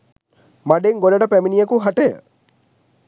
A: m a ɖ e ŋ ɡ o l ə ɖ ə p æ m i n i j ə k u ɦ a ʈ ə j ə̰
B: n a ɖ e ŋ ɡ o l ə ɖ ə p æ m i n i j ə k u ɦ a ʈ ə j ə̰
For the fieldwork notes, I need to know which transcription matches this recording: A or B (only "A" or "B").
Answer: A